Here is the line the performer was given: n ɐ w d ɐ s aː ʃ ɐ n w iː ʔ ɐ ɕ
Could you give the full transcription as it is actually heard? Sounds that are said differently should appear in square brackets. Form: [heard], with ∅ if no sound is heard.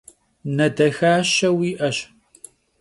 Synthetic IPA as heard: n ɐ [∅] d ɐ [x] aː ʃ ɐ [∅] w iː ʔ ɐ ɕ